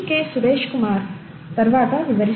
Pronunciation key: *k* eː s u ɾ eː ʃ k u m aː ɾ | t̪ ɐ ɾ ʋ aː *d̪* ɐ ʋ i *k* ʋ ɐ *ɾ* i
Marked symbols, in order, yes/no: yes, no, no, yes

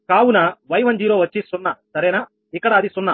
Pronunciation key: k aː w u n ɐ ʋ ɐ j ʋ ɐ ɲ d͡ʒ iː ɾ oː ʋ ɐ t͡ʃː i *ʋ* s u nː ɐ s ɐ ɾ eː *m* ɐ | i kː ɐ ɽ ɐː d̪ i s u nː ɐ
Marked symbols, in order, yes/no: no, no

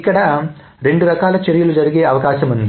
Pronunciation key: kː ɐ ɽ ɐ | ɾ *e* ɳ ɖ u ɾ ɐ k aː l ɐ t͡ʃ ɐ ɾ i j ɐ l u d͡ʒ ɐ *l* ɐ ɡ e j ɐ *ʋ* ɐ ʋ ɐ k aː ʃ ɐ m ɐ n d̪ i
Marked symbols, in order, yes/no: yes, no, no

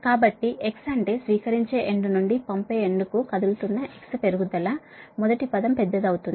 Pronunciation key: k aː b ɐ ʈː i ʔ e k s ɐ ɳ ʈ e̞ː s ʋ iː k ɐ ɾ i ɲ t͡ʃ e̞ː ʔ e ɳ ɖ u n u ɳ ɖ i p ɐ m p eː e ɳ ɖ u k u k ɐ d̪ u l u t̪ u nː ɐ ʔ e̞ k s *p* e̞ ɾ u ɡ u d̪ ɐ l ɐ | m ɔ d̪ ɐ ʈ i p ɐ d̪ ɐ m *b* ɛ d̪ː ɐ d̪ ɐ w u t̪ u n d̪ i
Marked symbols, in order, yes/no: yes, no

